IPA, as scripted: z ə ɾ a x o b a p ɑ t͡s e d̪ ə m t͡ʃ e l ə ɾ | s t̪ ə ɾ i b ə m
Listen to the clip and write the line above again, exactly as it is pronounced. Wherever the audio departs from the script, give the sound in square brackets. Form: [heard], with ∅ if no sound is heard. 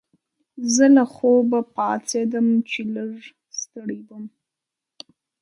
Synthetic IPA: z ə [l] a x o b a p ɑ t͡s e d̪ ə m t͡ʃ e l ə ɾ | s t̪ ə [ɽ] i b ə m